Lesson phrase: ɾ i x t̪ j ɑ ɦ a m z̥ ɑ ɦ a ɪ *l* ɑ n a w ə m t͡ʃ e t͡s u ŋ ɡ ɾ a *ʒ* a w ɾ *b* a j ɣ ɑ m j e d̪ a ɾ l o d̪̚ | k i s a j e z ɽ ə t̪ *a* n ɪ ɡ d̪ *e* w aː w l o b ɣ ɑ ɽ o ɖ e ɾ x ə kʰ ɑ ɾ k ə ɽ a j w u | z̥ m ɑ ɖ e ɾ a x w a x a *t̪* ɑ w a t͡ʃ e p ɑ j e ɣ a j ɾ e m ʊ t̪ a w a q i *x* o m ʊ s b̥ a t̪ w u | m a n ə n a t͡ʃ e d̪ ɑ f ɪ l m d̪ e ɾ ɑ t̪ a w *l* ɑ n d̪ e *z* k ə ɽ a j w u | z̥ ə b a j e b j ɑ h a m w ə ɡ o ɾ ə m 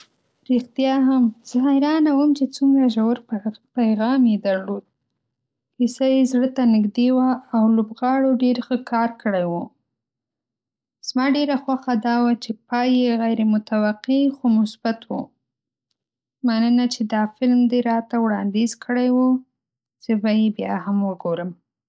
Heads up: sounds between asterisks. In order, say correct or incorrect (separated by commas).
incorrect, correct, incorrect, correct, correct, incorrect, correct, incorrect, correct